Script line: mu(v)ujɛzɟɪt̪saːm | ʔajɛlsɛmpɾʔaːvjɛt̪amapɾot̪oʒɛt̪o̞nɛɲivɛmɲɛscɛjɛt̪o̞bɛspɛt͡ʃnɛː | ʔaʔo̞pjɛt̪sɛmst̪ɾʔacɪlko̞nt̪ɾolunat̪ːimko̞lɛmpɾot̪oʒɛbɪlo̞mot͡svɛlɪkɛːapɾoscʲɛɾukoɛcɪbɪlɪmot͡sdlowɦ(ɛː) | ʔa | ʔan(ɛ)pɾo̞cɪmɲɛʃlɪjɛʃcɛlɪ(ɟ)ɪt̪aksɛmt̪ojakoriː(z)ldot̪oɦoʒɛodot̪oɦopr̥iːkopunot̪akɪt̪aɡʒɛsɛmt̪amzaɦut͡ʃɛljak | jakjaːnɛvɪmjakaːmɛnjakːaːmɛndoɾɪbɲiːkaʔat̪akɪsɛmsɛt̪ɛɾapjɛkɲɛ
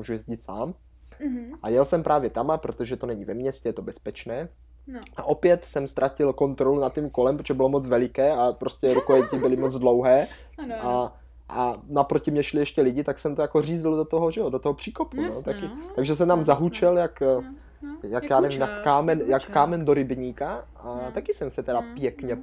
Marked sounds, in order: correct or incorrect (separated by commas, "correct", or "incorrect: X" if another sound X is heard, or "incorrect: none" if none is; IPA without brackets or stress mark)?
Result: incorrect: ʒ, correct, incorrect: a, correct, correct